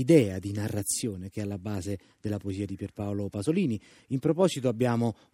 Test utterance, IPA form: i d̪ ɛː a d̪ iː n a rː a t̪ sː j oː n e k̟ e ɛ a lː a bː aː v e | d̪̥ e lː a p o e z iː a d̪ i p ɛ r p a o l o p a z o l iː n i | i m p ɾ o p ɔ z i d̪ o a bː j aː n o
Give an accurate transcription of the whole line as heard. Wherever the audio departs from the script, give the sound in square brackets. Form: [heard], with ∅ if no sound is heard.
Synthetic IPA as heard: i d̪ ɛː a d̪ [i] n a rː a t̪ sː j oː n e k̟ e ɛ a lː a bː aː [z] e | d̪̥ e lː a p o e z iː a d̪ i p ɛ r p a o l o p a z o l iː n i | i m p ɾ o p ɔ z i [t̪] o a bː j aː [m] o